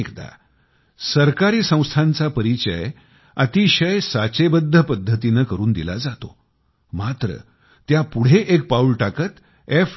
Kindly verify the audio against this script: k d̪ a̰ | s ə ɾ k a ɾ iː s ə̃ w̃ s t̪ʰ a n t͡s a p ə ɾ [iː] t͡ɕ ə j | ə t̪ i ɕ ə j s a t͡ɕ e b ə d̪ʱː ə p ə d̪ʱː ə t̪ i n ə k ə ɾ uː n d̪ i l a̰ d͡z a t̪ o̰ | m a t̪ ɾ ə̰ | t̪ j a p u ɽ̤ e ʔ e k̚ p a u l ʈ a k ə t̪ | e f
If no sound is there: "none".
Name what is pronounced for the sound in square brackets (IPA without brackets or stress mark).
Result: i